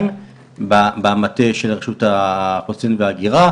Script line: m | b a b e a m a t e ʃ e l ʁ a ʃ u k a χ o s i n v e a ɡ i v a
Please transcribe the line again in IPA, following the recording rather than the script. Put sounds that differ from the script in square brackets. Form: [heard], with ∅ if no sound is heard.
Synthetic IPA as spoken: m | b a b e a m a t e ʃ e l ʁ [e] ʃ u [t] a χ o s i n v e a ɡ i [ʁ] a